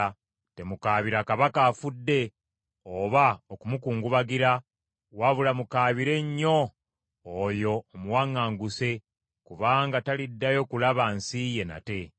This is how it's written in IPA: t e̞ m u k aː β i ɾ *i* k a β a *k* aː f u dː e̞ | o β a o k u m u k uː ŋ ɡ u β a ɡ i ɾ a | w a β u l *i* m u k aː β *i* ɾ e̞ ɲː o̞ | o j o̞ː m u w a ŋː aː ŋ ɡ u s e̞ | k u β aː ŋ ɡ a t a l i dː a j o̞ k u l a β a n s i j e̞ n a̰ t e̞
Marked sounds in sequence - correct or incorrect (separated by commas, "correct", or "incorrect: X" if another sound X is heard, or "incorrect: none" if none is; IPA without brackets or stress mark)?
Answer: incorrect: a, correct, incorrect: a, correct